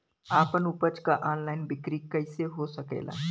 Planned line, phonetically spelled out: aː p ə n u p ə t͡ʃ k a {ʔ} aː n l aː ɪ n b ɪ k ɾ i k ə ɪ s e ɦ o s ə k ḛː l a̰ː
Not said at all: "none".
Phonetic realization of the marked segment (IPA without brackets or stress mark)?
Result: ʔ